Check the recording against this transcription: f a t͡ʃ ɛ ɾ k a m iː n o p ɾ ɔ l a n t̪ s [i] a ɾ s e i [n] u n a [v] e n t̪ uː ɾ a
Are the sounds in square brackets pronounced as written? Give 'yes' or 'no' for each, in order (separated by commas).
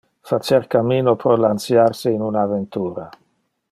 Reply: no, yes, yes